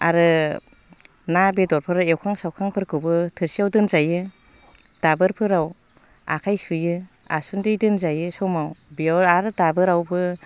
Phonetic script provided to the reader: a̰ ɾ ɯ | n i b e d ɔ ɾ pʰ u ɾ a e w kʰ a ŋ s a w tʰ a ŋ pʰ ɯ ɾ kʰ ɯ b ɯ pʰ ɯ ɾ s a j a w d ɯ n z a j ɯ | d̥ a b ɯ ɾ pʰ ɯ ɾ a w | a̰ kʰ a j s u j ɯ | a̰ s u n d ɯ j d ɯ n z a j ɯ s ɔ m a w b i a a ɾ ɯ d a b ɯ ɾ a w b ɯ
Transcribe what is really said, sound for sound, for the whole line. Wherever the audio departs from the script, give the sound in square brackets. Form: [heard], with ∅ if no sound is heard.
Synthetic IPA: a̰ ɾ ɯ | n [a] b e d ɔ ɾ pʰ [ɯ] ɾ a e w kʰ a ŋ s a w [kʰ] a ŋ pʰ ɯ ɾ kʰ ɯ b ɯ [tʰ] ɯ ɾ s [i] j a w d ɯ n z a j ɯ | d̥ a b ɯ ɾ pʰ ɯ ɾ a w | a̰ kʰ a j s u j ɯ | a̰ s u n d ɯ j d ɯ n z a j ɯ s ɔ m a w b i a a ɾ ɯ d a b ɯ ɾ a w b ɯ